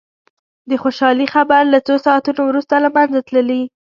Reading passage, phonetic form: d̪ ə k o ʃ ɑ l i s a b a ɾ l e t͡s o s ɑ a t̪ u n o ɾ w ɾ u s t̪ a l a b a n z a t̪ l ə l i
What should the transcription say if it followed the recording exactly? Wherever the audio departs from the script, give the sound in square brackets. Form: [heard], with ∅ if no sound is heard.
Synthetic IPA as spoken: d̪ ə [x] o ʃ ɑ l i [x] a b a ɾ l [a] t͡s o s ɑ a t̪ u n o [∅] w ɾ u s t̪ a l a [m] a n z a t̪ l ə l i